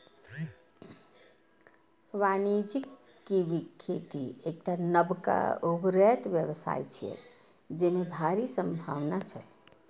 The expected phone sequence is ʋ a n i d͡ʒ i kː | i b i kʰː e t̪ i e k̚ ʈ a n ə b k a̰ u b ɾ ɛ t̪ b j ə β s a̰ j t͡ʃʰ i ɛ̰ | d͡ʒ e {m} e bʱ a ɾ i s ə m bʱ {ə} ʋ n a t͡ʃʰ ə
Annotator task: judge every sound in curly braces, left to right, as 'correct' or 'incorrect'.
correct, incorrect

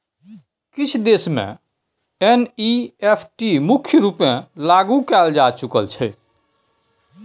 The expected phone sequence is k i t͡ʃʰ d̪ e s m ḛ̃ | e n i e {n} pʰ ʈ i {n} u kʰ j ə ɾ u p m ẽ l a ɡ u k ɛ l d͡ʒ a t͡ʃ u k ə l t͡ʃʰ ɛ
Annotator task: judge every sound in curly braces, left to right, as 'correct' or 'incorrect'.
incorrect, incorrect

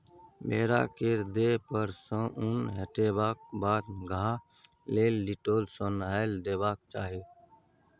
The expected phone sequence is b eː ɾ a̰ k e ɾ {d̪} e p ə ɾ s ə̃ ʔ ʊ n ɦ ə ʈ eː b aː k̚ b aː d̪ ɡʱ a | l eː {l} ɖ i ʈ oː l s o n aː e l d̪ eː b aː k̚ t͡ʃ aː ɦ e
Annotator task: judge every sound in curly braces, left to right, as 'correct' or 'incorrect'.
correct, correct

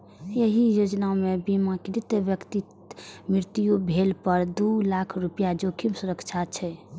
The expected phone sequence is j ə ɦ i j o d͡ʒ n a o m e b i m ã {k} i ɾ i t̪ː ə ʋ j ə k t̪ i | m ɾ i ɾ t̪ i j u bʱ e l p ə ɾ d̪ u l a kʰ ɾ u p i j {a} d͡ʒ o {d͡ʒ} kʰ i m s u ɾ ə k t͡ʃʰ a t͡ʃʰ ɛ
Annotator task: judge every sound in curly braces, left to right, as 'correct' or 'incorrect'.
correct, correct, incorrect

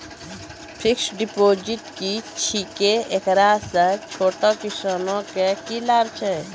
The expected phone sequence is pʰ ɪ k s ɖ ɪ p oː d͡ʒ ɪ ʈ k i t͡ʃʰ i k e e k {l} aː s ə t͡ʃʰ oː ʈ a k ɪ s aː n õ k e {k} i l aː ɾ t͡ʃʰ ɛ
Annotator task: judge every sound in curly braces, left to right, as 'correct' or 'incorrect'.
incorrect, correct

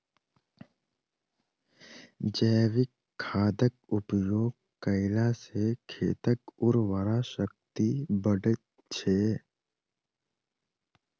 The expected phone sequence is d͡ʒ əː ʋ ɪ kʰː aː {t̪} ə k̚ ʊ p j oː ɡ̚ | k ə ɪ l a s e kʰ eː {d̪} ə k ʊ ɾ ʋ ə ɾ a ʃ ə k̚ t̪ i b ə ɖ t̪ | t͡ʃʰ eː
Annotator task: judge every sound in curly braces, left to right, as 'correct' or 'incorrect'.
incorrect, incorrect

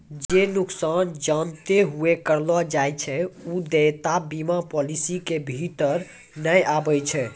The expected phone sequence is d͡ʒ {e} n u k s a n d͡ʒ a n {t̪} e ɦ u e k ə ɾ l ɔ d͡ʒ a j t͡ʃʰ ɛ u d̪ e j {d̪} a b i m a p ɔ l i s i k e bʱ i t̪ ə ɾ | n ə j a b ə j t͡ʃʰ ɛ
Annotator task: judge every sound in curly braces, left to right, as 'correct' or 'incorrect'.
correct, correct, incorrect

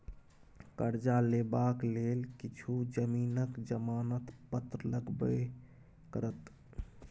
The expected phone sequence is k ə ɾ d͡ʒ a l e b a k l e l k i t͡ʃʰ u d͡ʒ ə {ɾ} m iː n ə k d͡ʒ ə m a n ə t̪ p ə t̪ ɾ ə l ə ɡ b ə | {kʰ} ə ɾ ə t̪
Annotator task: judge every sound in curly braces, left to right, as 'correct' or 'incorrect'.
incorrect, incorrect

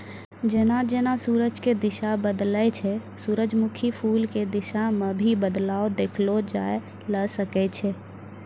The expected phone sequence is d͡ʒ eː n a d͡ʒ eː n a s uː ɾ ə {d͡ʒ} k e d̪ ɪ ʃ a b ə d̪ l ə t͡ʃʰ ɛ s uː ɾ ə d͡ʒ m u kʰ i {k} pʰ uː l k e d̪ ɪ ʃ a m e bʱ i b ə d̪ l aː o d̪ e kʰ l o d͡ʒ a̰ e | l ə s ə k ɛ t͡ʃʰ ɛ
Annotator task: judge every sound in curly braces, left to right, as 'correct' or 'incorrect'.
correct, incorrect

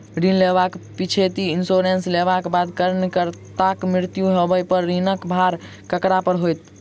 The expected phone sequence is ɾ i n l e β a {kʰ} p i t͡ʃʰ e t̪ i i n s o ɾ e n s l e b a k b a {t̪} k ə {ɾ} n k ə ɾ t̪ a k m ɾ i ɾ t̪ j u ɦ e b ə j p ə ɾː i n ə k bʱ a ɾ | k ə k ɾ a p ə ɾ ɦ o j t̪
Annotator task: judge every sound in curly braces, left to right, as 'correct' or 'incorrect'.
incorrect, incorrect, correct

